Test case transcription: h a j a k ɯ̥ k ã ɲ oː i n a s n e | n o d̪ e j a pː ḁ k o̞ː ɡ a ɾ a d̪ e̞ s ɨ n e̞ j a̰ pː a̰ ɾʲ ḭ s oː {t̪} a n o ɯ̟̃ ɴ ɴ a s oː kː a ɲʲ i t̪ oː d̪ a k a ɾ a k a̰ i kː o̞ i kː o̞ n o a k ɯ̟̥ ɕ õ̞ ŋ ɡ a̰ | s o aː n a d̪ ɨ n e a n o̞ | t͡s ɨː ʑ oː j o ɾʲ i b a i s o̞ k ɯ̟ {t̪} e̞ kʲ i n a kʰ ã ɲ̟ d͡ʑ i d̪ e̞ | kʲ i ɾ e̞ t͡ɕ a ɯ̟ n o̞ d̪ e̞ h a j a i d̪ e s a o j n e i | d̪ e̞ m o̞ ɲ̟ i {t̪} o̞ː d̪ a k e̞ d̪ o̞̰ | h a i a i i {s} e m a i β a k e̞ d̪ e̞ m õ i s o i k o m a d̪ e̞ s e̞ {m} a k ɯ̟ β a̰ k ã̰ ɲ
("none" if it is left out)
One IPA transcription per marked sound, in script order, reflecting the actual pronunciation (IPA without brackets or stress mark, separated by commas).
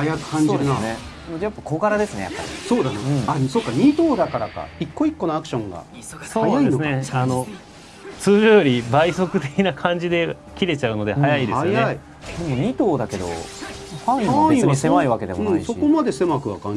d̪, t̪, t̪, s, m